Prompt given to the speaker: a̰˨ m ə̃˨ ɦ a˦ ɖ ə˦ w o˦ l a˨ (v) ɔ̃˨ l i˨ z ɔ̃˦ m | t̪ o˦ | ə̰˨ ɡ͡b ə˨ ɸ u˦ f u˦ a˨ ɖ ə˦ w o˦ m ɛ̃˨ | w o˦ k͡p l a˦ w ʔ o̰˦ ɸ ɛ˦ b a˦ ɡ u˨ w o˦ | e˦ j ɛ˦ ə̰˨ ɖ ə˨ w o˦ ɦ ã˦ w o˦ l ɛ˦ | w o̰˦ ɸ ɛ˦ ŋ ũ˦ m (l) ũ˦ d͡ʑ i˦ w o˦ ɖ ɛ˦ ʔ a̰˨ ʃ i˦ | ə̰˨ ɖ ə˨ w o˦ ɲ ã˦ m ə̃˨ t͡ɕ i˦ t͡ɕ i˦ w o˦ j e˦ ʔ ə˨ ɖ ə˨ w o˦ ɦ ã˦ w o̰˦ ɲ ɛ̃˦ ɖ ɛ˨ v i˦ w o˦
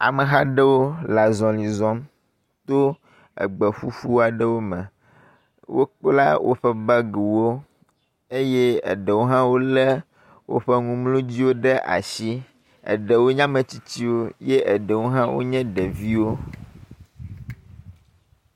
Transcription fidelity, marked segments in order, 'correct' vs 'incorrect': incorrect: z, correct

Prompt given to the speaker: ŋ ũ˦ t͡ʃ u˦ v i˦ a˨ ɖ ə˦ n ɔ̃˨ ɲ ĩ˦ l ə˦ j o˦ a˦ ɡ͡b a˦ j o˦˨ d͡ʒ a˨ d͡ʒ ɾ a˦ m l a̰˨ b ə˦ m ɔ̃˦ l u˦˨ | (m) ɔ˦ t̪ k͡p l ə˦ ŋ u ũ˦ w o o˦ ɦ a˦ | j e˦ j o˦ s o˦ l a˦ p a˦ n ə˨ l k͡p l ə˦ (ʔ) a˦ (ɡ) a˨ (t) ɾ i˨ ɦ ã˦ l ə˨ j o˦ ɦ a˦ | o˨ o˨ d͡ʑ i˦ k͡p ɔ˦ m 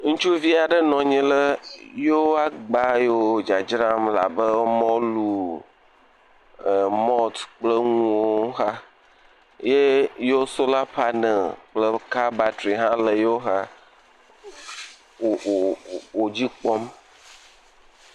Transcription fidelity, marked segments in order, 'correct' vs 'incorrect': correct, incorrect: k, incorrect: b, correct

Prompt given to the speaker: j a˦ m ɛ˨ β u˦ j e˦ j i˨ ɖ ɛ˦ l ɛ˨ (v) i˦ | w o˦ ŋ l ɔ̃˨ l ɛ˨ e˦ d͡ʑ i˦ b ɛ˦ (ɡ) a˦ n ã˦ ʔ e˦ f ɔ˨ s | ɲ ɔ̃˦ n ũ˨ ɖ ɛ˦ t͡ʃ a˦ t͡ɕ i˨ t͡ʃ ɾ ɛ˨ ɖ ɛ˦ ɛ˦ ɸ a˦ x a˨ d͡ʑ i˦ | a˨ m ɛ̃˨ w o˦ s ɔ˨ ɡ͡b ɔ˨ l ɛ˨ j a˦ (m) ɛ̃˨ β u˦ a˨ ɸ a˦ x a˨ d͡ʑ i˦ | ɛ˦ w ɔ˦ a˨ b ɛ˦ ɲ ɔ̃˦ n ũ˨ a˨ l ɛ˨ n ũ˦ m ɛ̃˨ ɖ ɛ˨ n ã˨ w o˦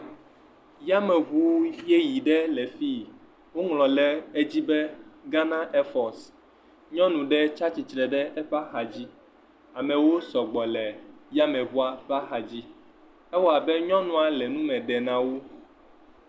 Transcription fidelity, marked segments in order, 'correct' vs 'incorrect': incorrect: f, correct, correct

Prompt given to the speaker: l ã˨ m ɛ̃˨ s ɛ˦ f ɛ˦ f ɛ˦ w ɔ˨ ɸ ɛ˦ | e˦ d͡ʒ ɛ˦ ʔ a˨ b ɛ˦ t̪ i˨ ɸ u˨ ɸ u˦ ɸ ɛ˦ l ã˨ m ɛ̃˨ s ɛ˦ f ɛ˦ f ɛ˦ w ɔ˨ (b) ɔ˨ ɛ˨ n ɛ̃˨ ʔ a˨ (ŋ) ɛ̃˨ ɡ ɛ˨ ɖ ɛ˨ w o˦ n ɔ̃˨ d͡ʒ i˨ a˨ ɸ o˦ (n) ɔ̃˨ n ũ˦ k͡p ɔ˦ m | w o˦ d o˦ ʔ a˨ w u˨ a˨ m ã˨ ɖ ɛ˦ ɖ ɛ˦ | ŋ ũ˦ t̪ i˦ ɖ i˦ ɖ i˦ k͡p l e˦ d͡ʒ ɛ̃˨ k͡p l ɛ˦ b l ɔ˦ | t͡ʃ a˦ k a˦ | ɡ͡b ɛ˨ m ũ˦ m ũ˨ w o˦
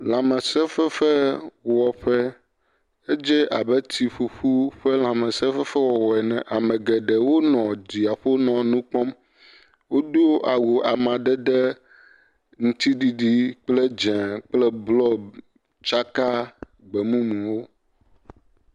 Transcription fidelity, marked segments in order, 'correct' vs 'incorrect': incorrect: w, incorrect: m, correct

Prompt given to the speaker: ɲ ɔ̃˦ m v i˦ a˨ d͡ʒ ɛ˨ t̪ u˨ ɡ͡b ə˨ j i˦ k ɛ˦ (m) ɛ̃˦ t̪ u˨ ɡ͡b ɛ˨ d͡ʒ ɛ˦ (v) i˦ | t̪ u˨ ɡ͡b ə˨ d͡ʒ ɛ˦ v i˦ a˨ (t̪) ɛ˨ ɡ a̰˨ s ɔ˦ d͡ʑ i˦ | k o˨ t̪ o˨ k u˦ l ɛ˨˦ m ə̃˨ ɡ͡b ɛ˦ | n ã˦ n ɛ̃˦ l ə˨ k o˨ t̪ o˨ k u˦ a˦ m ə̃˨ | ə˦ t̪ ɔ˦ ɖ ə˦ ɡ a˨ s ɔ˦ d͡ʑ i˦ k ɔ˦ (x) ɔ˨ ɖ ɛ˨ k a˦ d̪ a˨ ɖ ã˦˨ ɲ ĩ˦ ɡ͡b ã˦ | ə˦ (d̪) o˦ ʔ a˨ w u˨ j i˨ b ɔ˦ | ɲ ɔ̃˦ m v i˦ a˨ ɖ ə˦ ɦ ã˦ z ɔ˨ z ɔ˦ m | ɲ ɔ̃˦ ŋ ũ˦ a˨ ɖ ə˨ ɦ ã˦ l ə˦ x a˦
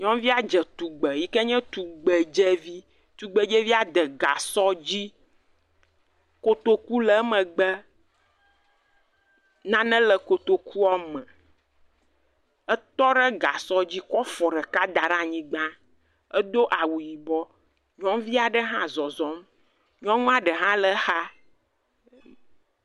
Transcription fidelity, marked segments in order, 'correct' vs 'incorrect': incorrect: ɲ, correct, incorrect: d̪, incorrect: f, correct

